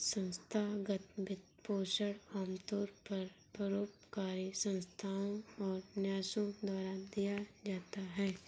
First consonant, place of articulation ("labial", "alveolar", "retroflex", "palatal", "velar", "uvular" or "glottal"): alveolar